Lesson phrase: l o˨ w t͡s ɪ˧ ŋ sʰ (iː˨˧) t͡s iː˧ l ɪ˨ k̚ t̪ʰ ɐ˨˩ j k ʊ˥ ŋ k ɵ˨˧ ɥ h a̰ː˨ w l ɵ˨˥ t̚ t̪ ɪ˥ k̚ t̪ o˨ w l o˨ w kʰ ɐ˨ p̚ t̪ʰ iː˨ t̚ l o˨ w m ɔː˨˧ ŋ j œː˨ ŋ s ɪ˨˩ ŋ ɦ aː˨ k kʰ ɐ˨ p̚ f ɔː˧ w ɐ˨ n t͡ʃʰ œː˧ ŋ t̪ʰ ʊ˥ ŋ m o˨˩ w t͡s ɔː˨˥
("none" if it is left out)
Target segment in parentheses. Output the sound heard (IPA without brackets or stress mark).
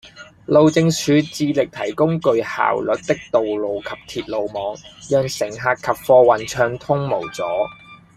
yː˨˧